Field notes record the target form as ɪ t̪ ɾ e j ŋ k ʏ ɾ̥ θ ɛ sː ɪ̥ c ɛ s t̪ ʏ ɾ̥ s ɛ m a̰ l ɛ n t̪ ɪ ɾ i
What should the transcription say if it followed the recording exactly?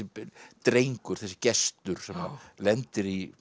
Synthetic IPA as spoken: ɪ t̪ ɾ e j ŋ k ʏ ɾ̥ θ ɛ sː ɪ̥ c ɛ s t̪ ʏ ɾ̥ s ɛ m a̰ l ɛ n t̪ ɪ ɾ i